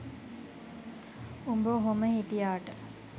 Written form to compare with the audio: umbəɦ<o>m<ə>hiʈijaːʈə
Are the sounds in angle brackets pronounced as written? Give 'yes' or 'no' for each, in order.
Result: yes, yes

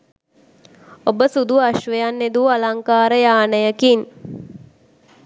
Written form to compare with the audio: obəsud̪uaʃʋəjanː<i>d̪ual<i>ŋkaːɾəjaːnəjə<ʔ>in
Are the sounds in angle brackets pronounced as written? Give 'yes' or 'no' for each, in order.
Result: no, no, no

